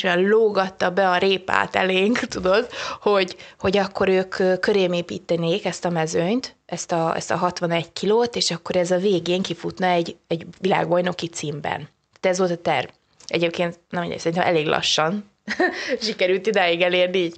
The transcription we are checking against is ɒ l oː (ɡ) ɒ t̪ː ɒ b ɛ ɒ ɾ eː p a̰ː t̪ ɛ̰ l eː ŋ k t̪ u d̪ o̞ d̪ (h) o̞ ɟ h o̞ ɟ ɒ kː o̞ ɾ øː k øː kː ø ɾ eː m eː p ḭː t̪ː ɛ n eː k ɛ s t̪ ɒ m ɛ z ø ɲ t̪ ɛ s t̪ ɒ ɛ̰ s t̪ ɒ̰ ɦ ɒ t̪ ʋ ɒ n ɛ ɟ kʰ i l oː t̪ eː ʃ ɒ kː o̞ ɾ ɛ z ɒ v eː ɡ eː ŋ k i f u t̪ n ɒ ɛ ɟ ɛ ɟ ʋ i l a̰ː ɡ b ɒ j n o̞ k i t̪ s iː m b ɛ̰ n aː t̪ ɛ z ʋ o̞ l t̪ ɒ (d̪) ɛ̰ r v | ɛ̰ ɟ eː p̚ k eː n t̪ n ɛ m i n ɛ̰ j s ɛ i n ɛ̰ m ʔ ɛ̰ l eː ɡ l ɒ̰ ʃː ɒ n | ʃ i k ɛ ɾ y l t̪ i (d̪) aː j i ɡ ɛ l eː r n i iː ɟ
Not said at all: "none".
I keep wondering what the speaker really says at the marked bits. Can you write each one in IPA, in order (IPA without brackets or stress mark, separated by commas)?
ɡ, h, t̪, d̪